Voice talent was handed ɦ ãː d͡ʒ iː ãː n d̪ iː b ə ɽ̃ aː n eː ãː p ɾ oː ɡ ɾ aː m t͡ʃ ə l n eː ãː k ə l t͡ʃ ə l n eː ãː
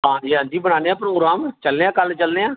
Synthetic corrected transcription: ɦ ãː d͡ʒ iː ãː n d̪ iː b ə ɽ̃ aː n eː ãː p ɾ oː ɡ ɾ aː m t͡ʃ ə l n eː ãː k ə l t͡ʃ ə l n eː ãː